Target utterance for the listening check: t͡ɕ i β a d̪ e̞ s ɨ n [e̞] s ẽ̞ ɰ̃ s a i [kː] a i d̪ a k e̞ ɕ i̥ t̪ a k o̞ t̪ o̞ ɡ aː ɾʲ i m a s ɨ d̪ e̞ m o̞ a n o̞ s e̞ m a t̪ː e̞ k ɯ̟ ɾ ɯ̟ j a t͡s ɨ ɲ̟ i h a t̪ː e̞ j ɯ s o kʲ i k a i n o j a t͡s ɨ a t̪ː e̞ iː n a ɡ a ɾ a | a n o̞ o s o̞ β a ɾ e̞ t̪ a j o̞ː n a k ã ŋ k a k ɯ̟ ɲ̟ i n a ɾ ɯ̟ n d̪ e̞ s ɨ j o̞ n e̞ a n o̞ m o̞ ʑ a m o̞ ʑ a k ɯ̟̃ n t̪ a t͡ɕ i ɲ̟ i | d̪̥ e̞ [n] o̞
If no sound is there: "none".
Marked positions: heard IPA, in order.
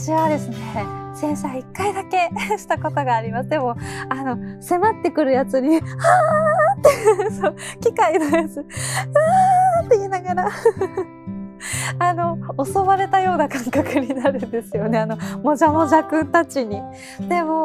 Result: e̞, kː, m

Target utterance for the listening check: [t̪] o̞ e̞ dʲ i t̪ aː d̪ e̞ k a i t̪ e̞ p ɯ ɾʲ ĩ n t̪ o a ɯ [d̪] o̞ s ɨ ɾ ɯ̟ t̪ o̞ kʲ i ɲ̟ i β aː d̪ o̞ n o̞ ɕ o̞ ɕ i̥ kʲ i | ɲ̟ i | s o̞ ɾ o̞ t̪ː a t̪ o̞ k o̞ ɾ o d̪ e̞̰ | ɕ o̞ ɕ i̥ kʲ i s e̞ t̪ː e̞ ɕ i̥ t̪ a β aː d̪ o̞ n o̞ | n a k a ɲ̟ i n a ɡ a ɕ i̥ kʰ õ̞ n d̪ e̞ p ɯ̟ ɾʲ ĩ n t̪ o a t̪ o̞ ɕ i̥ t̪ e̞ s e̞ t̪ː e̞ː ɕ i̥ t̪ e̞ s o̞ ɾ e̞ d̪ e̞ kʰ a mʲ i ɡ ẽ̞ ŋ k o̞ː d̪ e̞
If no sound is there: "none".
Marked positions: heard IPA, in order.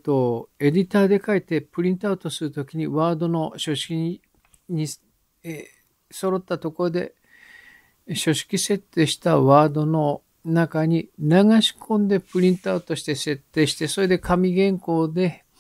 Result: t̪, t̪

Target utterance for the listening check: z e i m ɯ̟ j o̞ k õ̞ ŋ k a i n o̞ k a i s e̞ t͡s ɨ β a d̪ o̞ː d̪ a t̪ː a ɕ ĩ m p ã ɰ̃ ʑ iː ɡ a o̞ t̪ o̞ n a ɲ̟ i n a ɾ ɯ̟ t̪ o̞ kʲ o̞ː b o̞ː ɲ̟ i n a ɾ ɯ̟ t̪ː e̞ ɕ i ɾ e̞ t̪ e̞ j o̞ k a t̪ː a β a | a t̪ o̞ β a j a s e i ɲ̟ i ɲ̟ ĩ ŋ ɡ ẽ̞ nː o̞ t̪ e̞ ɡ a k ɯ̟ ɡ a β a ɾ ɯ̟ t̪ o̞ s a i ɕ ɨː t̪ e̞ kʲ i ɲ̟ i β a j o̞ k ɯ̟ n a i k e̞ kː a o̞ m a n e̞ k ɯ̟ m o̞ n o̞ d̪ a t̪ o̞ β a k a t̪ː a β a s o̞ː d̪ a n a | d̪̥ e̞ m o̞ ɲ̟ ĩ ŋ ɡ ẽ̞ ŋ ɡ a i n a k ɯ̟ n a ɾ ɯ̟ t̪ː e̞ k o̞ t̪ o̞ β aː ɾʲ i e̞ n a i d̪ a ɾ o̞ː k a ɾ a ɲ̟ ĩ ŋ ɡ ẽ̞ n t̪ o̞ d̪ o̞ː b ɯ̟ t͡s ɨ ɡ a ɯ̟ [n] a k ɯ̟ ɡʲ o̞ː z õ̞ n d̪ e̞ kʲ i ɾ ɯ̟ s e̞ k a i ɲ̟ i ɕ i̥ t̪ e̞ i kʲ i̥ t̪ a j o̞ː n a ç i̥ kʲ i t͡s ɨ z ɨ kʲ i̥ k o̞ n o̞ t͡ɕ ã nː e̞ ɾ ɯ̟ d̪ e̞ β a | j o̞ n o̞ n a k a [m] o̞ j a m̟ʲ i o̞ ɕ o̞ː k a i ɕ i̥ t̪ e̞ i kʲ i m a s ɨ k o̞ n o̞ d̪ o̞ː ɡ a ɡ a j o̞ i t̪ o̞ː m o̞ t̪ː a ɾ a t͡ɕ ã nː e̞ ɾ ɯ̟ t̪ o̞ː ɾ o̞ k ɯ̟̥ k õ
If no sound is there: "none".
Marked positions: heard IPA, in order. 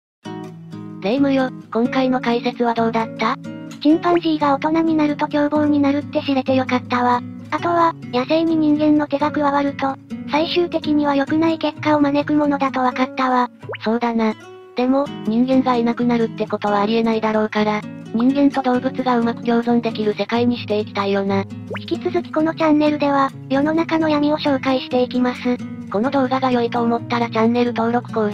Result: m, n

